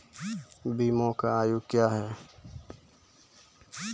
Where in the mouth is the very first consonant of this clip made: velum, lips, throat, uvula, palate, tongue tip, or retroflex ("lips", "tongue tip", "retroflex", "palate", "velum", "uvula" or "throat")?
lips